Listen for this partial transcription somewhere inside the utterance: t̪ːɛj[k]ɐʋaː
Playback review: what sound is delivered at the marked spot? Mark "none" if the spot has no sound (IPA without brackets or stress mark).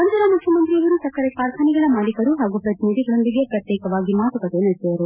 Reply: k